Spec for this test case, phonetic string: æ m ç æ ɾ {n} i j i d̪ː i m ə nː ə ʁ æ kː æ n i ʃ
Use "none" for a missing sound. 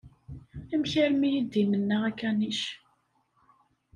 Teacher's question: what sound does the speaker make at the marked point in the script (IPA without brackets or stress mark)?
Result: m